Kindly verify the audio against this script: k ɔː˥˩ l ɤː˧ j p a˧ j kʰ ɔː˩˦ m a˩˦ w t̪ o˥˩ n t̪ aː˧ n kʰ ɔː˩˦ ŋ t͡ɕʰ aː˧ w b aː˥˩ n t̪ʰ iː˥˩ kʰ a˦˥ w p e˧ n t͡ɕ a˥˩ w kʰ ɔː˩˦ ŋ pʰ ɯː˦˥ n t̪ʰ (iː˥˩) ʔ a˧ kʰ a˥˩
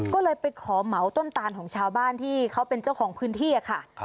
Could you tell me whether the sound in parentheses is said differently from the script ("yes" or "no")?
no